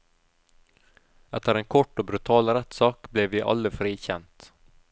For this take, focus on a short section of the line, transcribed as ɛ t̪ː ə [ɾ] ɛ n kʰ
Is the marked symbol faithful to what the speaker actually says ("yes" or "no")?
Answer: yes